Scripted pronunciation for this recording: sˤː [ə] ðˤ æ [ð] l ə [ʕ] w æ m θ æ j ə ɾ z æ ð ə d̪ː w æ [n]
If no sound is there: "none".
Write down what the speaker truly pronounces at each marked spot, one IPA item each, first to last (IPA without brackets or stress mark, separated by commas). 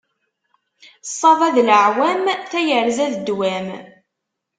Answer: ɑ, ð, ʕ, m